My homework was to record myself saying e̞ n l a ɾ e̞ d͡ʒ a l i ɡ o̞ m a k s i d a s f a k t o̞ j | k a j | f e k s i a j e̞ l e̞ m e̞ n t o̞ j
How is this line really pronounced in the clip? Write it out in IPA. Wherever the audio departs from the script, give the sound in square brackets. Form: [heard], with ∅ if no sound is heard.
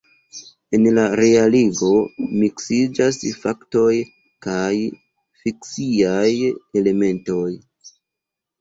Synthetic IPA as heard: e̞ n l a ɾ e̞ [∅] a l i ɡ o̞ m [i] k s i [d͡ʒ] a s f a k t o̞ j | k a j | f [i] k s i a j e̞ l e̞ m e̞ n t o̞ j